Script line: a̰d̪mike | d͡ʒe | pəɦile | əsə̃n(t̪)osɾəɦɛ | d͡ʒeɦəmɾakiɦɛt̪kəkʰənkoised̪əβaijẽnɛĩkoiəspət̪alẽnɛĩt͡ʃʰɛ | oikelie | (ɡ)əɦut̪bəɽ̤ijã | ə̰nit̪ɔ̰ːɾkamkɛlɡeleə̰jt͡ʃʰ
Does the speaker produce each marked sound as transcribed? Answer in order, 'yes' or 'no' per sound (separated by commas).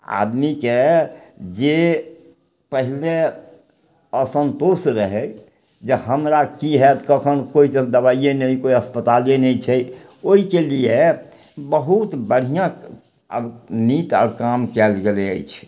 yes, no